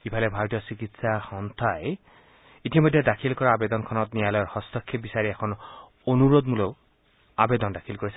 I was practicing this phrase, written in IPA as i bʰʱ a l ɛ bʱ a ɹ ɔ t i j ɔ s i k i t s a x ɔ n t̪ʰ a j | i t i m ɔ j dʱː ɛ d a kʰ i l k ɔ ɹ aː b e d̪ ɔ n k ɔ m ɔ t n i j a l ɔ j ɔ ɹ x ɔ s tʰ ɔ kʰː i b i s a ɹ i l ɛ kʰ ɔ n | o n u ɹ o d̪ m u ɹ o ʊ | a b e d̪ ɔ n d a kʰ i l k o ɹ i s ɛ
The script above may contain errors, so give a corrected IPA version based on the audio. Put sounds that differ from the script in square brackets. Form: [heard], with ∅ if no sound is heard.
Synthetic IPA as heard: i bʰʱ a l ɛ bʱ a ɹ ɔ t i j ɔ s i k i t s a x ɔ n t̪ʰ a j | i t i m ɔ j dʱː ɛ d a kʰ i l k ɔ ɹ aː b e d̪ ɔ n [kʰ] ɔ [n] ɔ t n i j a l ɔ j ɔ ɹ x ɔ s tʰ ɔ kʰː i b i s a ɹ i [∅] ɛ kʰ ɔ n | o n u ɹ o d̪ m u [l] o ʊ | a b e d̪ ɔ n d a kʰ i l k o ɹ i s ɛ